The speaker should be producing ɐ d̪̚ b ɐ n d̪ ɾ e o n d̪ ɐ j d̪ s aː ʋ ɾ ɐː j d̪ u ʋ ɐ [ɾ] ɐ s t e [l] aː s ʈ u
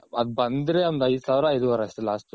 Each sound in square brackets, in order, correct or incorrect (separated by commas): correct, correct